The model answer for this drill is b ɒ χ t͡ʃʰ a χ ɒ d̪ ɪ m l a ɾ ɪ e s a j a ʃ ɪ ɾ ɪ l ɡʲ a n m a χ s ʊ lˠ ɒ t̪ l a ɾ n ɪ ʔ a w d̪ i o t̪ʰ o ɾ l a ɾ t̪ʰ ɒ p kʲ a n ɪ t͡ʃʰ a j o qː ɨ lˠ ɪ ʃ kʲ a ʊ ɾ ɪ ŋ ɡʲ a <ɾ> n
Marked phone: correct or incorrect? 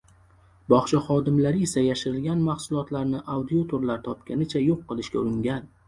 incorrect: none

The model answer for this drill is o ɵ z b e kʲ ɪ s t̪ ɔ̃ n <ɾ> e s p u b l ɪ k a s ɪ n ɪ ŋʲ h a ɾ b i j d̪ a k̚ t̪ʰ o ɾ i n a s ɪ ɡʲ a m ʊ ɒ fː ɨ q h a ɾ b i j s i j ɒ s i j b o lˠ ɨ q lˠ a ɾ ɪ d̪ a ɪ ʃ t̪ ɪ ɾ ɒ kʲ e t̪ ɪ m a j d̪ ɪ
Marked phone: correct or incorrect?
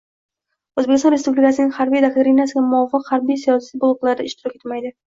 correct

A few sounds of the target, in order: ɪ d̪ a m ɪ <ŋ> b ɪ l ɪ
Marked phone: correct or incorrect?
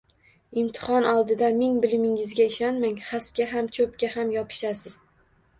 correct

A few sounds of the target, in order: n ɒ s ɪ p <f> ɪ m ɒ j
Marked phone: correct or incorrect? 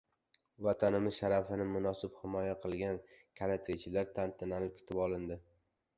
incorrect: h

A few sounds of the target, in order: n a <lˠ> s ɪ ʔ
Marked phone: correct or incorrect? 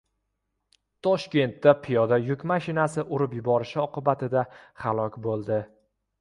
incorrect: none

